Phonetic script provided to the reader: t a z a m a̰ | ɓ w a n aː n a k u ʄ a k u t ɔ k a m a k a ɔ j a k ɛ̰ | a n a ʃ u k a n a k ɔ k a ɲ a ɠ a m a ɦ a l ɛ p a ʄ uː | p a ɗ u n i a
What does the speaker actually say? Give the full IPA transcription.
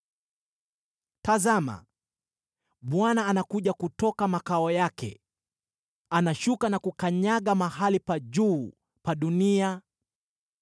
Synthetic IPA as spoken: t a z a m a̰ | ɓ w a n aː n a k u ʄ a k u t ɔ k a m a k a ɔ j a k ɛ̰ | a n a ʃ u k a n a k u k a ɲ a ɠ a m a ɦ a l i p a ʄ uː | p a ɗ u n i a